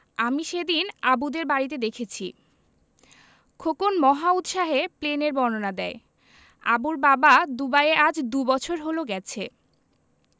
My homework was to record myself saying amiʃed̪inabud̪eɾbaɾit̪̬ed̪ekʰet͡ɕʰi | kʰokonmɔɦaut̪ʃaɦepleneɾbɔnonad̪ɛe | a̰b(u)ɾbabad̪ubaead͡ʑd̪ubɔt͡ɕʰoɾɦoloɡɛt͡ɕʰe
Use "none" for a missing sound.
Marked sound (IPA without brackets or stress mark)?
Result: u